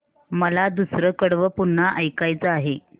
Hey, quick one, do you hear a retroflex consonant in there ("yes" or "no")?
yes